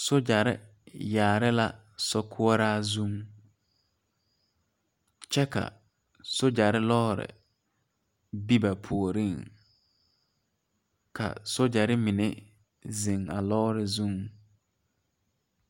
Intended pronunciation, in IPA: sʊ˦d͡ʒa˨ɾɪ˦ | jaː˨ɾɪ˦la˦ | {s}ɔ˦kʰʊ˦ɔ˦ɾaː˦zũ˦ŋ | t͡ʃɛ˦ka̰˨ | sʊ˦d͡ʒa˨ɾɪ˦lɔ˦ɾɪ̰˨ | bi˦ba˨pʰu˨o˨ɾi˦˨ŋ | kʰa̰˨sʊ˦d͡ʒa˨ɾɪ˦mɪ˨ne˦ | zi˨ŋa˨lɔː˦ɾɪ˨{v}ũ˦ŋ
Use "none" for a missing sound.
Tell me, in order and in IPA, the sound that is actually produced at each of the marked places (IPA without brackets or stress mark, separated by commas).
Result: s, z